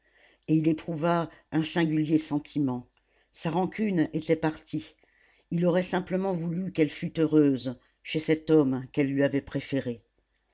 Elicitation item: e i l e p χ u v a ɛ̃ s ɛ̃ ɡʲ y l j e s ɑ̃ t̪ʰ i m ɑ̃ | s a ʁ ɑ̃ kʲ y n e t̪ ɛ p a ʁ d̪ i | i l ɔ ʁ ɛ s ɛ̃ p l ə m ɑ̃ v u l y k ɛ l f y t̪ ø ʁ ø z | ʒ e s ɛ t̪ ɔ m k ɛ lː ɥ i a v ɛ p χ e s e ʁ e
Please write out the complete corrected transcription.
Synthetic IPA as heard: e i l e p χ u v a ɛ̃ s ɛ̃ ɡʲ y l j e s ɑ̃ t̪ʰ i m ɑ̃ | s a ʁ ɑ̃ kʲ y n e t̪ ɛ p a ʁ t̪ i | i l ɔ ʁ ɛ s ɛ̃ p l ə m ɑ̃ v u l y k ɛ l f y t̪ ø ʁ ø z | ʃ e s ɛ t̪ ɔ m k ɛ lː ɥ i a v ɛ p χ e f e ʁ e